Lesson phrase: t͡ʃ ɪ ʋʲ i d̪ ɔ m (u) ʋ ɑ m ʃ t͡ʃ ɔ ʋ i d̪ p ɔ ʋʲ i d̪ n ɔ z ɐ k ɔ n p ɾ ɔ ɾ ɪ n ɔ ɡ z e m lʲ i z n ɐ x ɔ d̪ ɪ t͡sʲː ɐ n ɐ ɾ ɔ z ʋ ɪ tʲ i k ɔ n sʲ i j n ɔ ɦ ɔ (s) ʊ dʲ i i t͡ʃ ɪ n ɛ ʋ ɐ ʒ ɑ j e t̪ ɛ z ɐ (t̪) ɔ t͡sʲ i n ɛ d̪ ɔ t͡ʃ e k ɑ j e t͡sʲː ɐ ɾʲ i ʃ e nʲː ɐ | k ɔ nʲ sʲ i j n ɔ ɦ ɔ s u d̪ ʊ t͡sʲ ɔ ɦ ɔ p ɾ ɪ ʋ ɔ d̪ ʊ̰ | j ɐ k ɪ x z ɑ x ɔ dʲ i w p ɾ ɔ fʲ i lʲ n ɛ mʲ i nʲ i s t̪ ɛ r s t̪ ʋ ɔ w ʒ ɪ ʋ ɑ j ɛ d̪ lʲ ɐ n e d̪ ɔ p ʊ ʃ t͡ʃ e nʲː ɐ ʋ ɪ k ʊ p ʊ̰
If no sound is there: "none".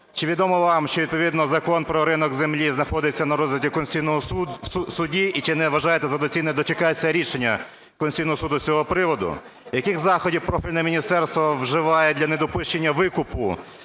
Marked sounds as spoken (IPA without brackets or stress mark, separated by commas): ɔ, s, d̪